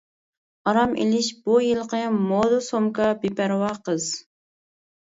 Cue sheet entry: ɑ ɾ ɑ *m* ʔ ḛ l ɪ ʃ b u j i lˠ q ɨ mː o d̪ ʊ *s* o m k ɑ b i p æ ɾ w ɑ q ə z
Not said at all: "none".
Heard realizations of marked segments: m, s

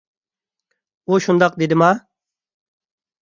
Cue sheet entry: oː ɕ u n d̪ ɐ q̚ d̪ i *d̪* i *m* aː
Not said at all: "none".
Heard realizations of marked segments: d̪, m

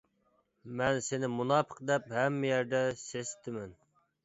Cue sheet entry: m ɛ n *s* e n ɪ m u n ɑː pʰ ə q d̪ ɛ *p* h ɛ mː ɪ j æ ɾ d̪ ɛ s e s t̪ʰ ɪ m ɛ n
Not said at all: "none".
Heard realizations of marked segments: s, p

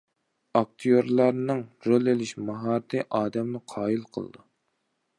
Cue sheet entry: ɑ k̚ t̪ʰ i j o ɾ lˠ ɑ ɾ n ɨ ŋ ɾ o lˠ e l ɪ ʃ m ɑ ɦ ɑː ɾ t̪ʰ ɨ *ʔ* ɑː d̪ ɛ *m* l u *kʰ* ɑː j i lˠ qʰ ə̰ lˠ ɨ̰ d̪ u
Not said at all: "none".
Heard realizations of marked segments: ʔ, m, qʰ

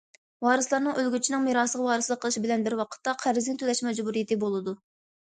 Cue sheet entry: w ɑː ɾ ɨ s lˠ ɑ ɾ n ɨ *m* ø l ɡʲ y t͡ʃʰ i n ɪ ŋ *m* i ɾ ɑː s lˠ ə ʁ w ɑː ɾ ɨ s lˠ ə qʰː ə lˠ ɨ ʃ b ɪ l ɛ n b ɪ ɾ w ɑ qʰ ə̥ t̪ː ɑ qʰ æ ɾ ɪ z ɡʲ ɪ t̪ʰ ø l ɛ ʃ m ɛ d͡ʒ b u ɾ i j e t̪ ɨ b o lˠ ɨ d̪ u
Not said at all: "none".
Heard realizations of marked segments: ŋ, m

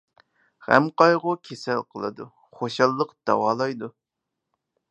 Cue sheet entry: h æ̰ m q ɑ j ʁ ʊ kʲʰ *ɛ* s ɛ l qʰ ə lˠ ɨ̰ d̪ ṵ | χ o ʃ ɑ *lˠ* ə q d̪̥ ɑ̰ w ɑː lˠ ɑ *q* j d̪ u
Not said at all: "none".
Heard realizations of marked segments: e, lˠː, none

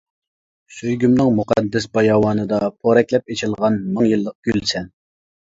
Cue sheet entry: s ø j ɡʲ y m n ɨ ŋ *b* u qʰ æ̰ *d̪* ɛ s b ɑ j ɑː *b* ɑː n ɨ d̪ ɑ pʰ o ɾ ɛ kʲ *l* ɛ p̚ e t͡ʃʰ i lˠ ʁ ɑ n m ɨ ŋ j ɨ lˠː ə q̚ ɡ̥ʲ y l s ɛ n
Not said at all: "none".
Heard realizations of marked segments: m, d̪ː, w, l

